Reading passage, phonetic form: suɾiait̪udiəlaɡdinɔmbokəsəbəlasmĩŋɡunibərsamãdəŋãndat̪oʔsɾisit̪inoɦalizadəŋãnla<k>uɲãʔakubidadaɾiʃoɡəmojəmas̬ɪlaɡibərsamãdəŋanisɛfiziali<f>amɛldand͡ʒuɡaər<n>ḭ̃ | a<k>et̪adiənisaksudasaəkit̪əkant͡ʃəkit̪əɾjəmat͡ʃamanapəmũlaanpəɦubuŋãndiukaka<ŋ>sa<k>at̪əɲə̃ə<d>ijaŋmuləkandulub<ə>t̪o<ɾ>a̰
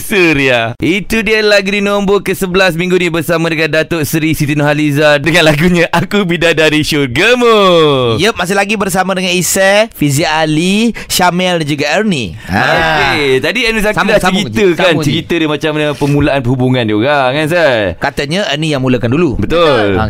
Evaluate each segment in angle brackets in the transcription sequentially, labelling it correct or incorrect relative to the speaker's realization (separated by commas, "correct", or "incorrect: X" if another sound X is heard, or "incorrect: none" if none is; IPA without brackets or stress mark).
incorrect: ɡ, incorrect: ʃ, correct, correct, incorrect: n, correct, incorrect: n, correct, incorrect: l